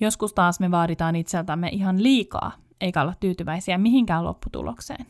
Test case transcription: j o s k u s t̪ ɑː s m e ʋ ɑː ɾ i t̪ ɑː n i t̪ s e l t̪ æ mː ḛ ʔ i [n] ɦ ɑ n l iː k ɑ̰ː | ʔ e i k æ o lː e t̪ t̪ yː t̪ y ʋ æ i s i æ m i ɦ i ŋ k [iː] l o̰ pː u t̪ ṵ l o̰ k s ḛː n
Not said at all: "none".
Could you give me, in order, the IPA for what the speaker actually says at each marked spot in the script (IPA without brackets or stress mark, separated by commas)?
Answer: none, æː